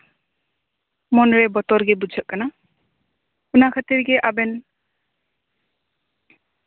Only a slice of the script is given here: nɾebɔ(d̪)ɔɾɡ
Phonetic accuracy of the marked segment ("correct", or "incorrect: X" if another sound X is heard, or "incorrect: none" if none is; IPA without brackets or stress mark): incorrect: t̪